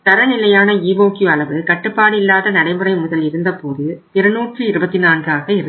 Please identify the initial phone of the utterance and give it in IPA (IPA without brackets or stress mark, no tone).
t̪